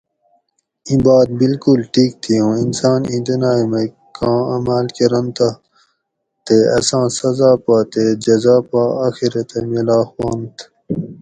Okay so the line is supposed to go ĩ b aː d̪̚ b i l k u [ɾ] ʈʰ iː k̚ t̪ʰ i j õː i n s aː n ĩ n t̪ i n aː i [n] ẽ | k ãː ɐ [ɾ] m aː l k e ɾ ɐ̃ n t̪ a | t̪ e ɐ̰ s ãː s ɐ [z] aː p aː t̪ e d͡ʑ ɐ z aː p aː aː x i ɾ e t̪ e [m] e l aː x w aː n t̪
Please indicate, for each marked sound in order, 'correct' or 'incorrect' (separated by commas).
incorrect, incorrect, incorrect, correct, correct